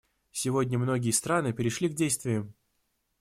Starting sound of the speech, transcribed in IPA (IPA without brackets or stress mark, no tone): sʲ